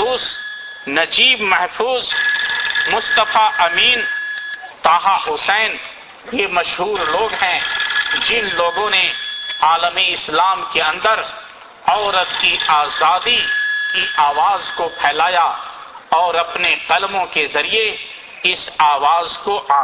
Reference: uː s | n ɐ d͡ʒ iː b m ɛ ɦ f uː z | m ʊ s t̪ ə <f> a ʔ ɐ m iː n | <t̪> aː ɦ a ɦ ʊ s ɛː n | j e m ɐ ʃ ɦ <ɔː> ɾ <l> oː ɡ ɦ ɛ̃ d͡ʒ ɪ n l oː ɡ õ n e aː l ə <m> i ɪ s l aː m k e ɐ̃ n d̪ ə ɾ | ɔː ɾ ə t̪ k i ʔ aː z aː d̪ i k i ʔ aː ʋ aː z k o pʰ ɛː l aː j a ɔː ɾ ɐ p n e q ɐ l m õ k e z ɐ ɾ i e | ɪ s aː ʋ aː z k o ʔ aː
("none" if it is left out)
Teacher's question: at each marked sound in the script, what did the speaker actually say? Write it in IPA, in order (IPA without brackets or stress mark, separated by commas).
f, t̪, uː, l, m